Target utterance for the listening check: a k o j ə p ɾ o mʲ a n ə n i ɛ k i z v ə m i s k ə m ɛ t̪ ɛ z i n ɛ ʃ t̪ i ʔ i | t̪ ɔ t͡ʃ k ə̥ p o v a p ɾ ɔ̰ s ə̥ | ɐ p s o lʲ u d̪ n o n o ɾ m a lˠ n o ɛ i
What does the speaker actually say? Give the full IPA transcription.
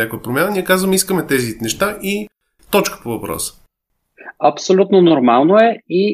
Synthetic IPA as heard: a k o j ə p ɾ o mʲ a n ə n i ɛ k a z v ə m i s k ə m ɛ t̪ ɛ z i n ɛ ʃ t̪ a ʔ i | t̪ ɔ t͡ʃ k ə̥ p o v ɐ p ɾ ɔ̰ s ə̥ | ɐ p s o lʲ u t̪ n o n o ɾ m a lˠ n o ɛ i